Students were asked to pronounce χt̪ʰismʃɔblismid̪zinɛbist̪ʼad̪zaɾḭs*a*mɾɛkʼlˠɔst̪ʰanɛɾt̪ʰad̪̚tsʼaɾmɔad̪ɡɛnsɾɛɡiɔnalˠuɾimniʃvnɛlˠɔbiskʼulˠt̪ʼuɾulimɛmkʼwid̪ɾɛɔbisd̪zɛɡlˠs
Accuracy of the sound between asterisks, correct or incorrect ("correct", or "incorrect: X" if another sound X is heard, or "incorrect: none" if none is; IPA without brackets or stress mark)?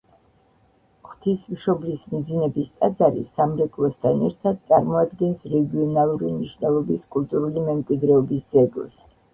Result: correct